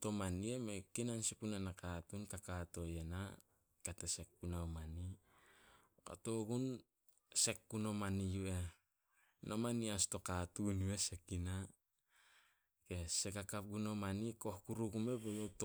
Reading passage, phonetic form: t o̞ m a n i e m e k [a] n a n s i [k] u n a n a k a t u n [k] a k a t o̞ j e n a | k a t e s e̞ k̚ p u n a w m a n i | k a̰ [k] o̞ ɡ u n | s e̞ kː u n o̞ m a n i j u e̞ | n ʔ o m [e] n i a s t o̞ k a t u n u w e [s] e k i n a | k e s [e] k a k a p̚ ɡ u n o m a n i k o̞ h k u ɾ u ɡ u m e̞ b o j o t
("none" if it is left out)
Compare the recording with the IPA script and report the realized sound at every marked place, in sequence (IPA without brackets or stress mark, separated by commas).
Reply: i, p, k, t, a, s, e